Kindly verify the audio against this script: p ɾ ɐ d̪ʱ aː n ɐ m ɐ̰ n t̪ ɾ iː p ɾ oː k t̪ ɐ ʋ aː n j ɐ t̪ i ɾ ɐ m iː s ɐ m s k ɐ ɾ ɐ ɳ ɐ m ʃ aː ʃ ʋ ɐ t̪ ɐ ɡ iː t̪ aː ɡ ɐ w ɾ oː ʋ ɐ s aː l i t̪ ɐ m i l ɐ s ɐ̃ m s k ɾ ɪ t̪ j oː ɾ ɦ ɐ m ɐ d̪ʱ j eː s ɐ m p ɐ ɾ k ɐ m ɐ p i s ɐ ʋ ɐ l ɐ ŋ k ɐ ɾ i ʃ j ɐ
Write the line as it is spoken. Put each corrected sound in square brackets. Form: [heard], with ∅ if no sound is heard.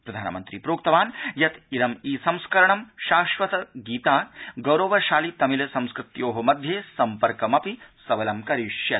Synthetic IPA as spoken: p ɾ ɐ d̪ʱ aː n ɐ m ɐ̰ n t̪ ɾ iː p ɾ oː k t̪ ɐ ʋ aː n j ɐ t̪ i ɾ ɐ m iː s ɐ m s k ɐ ɾ ɐ ɳ ɐ m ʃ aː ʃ ʋ ɐ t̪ ɐ ɡ iː t̪ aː ɡ ɐ w ɾ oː ʋ ɐ [ʃ] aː l i t̪ ɐ m i l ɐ s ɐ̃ m s k ɾ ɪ t̪ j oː [∅] ɦ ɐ m ɐ d̪ʱ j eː s ɐ m p ɐ ɾ k ɐ m ɐ p i s ɐ ʋ ɐ l ɐ [m] k ɐ ɾ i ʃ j ɐ